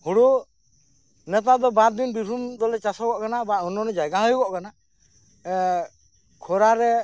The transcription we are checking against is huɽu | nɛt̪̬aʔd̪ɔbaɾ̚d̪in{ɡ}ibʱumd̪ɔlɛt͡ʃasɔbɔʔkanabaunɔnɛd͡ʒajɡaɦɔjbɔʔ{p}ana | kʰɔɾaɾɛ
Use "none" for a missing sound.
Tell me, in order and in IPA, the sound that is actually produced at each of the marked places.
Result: b, k

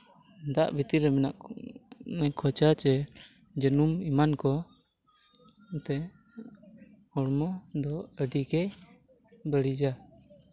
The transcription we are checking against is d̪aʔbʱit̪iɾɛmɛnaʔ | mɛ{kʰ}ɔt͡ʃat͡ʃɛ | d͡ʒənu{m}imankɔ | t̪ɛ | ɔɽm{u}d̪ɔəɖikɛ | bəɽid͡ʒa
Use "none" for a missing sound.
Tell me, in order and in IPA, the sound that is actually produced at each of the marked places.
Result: kʰ, m, ɔ

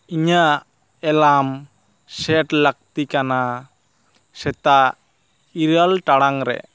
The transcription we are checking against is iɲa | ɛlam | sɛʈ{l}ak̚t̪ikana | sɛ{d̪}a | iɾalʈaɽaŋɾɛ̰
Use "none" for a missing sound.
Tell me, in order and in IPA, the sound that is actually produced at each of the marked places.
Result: l, t̪

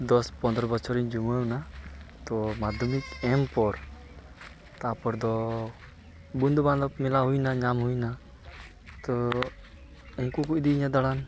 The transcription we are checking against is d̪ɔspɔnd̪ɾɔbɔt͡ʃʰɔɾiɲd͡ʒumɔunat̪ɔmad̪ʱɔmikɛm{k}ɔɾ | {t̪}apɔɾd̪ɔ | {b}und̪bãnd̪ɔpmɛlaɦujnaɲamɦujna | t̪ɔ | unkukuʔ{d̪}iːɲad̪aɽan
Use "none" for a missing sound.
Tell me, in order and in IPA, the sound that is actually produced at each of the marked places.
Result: p, t̪, b, d̪

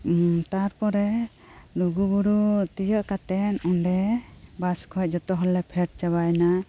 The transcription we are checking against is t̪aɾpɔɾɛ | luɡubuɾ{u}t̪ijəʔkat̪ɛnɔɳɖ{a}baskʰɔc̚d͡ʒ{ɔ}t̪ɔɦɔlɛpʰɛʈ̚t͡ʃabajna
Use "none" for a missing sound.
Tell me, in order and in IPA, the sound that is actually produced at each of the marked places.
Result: u, ɛ, ɔ

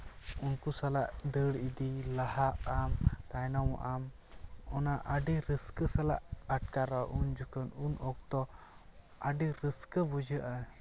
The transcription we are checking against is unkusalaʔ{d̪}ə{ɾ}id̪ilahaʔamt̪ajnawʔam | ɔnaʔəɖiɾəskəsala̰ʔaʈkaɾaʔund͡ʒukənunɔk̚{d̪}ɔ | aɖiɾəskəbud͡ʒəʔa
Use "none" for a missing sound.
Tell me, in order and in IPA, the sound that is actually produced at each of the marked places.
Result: d̪, ɽ, t̪

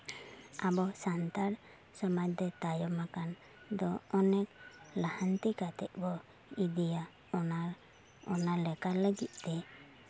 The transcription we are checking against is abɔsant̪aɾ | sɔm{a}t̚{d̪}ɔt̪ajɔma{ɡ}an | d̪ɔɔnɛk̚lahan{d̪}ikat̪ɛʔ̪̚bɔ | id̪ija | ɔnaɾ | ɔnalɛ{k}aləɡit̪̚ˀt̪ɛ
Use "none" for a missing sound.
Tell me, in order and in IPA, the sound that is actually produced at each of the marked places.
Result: a, d̪, k, t̪, k

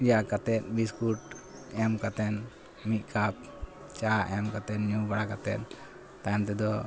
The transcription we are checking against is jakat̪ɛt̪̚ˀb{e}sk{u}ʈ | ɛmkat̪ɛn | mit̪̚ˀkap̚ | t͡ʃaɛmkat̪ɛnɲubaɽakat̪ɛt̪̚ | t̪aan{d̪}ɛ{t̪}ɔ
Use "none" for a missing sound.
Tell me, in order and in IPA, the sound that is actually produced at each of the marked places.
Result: i, u, t̪, d̪

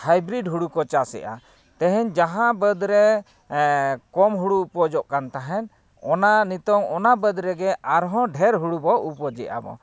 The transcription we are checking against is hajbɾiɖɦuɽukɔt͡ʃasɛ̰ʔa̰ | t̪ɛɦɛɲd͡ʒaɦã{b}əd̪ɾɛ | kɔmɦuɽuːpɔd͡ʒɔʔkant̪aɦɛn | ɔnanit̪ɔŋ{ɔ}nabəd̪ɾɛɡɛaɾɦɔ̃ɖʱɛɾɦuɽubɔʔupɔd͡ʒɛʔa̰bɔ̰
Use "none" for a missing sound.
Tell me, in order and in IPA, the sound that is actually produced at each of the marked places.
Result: b, ɔ

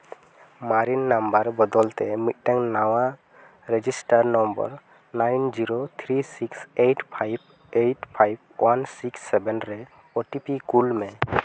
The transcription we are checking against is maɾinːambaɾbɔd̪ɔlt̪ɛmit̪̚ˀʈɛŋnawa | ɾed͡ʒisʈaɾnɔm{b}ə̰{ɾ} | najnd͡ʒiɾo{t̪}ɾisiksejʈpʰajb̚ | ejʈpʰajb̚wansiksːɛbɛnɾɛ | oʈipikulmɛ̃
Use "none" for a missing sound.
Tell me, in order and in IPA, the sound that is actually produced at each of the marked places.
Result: b, ɾ, t̪ʰ

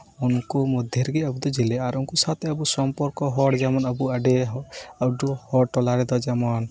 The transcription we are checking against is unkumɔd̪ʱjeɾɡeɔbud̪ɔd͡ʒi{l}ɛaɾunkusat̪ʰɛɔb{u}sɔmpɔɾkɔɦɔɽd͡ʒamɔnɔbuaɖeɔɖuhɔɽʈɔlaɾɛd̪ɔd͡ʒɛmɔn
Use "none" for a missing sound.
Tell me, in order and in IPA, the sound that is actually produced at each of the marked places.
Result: l, u

